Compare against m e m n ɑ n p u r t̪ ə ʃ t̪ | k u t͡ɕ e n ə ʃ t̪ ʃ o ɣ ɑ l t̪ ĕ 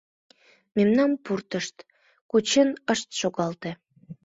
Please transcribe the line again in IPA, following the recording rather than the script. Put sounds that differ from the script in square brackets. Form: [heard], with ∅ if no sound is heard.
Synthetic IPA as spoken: m e m n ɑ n p u r t̪ ə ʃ t̪ | k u t͡ɕ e n ə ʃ t̪ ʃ o ɣ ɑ l t̪ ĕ